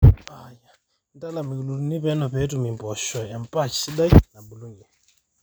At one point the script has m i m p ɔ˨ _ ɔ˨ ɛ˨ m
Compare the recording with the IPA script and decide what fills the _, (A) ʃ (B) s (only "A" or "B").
A